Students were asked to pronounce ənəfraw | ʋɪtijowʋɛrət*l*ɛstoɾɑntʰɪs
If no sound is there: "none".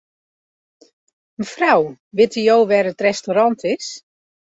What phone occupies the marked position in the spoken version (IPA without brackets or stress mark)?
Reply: r